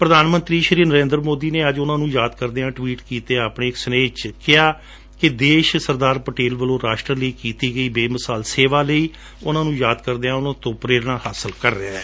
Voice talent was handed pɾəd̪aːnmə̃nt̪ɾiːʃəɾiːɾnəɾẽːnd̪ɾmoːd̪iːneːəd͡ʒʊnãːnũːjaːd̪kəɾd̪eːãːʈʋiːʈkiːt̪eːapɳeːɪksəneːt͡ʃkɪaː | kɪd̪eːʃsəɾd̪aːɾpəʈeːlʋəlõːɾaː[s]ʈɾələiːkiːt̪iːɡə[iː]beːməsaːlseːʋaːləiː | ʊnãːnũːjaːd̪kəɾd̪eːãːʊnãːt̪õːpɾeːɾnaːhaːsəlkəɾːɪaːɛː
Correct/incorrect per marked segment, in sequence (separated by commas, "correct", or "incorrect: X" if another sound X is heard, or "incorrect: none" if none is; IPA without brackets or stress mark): incorrect: ʃ, correct